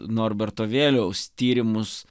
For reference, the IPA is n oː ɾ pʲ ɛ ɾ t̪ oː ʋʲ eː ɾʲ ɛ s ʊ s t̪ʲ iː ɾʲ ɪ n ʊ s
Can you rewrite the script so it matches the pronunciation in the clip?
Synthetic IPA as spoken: n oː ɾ bʲ ɛ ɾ t̪ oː ʋʲ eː lʲ ɛ ʊ s t̪ʲ iː ɾʲ ɪ m ʊ s